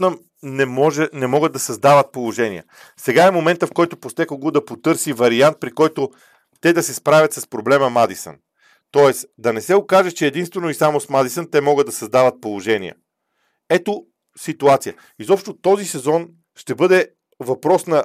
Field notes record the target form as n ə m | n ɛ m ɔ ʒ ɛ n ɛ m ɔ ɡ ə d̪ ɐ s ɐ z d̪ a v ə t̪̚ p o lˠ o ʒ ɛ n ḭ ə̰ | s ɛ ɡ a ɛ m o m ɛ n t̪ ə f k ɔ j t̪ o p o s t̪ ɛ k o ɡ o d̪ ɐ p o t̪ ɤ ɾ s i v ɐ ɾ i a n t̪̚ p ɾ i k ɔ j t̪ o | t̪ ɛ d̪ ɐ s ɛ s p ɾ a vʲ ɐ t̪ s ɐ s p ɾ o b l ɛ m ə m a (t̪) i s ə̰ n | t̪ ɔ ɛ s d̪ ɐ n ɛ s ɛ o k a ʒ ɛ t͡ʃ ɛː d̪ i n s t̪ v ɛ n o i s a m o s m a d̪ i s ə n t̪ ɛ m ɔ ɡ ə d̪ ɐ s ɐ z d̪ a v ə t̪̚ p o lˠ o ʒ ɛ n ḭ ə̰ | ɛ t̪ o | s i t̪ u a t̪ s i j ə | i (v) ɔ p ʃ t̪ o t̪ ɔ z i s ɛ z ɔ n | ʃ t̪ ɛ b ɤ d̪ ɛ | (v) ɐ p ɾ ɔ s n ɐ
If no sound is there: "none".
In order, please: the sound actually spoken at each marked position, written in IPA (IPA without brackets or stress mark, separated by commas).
d̪, z, v